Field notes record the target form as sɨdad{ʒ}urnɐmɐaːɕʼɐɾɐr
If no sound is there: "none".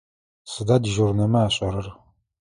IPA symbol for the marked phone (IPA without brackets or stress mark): ʒ